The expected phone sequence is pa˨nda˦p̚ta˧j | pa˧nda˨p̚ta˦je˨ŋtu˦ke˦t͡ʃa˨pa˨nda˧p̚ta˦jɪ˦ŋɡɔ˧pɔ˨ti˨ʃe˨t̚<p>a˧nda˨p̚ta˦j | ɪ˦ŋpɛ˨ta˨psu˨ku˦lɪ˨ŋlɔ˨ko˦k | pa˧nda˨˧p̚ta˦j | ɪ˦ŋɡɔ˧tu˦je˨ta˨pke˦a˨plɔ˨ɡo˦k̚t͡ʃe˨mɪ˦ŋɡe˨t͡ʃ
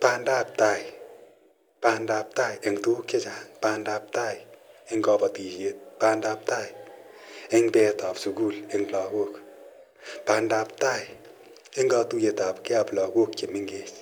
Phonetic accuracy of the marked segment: correct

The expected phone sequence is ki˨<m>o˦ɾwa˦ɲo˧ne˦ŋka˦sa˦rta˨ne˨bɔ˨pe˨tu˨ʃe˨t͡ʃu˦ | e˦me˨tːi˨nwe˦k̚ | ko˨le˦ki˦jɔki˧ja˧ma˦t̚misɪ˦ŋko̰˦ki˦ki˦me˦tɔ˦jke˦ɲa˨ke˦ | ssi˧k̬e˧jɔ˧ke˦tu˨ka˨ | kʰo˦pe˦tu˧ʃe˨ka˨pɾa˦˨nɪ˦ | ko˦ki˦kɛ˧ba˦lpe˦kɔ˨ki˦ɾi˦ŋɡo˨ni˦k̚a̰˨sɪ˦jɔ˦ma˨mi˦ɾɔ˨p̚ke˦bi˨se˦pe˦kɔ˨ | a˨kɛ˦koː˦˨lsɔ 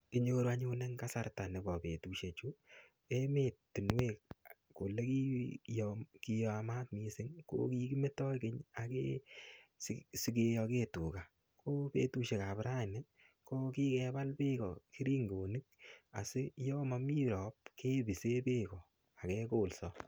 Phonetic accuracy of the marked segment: incorrect: ɲ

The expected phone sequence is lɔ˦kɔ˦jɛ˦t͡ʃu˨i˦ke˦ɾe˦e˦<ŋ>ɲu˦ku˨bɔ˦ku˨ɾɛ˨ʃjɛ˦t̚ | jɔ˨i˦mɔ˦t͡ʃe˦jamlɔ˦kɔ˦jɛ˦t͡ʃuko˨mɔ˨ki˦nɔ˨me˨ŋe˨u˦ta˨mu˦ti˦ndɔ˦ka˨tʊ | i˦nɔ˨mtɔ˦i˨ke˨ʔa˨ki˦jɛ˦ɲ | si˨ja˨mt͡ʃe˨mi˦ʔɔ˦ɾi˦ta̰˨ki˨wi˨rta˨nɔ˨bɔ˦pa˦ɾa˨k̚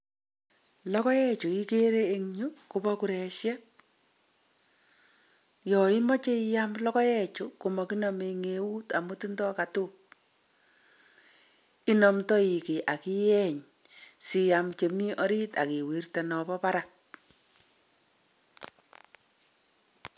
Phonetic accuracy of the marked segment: correct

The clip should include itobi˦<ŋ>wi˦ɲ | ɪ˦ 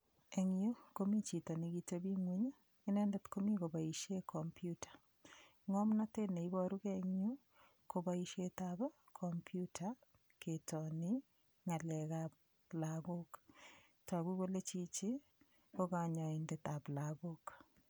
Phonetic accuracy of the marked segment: correct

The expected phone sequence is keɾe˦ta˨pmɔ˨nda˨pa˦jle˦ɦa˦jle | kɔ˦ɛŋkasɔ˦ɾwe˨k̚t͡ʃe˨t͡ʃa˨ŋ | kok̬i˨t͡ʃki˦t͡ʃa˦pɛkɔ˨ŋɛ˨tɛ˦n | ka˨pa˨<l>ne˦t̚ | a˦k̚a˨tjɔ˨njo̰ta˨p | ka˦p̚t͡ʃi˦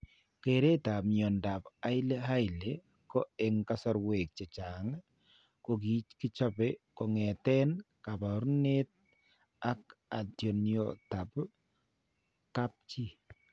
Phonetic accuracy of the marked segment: incorrect: ɾ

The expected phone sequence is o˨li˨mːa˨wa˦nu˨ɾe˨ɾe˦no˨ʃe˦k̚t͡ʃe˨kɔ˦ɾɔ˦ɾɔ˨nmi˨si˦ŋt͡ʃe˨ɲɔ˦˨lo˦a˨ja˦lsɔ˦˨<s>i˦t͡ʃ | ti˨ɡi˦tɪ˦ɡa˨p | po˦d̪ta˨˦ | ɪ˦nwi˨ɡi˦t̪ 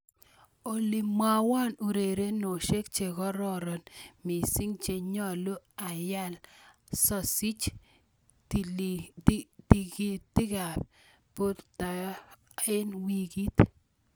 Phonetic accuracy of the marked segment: correct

